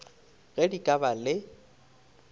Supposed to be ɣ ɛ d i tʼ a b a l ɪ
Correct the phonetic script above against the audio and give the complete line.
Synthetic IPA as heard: ɣ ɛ d i kʼ a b a l ɪ